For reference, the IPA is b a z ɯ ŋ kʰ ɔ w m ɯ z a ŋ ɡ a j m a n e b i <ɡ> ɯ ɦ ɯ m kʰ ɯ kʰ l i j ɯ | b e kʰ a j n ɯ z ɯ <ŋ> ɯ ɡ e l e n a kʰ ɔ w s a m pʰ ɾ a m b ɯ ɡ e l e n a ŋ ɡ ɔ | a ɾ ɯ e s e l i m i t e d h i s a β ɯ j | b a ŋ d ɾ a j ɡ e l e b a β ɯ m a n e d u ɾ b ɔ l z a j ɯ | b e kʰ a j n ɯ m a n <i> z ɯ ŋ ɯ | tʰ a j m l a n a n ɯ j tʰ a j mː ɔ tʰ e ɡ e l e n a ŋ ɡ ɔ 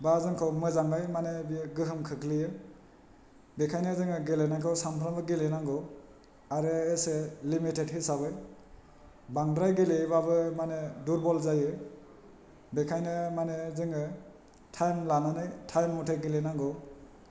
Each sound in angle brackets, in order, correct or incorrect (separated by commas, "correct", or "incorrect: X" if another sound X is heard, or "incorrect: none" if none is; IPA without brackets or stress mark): correct, correct, incorrect: e